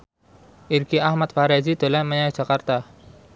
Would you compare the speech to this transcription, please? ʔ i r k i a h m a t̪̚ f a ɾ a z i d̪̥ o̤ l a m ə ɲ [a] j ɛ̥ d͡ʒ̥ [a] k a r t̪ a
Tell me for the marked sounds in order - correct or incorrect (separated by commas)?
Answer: correct, correct